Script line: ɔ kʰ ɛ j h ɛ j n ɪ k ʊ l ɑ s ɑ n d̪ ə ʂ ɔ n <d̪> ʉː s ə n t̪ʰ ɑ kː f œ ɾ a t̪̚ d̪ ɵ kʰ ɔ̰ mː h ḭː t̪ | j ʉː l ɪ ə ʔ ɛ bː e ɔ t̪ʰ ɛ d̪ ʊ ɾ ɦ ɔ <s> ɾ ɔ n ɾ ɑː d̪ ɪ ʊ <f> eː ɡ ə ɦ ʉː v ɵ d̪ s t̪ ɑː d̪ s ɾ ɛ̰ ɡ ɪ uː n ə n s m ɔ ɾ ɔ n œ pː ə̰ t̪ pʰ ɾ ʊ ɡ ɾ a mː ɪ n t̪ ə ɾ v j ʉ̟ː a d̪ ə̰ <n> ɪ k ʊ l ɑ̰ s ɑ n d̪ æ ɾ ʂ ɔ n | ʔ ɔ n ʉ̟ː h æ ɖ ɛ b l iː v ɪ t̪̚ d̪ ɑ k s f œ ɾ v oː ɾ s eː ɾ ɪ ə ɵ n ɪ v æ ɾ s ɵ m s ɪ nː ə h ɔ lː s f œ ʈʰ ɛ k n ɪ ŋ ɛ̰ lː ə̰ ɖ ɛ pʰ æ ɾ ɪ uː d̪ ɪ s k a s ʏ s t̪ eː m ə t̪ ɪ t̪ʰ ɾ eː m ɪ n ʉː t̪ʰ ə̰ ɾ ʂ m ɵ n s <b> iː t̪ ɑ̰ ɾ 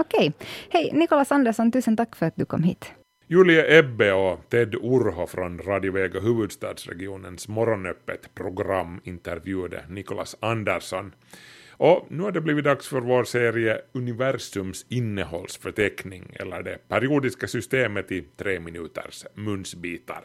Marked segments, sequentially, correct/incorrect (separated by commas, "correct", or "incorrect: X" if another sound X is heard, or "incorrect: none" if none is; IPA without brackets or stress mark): incorrect: t̪, incorrect: f, incorrect: v, correct, correct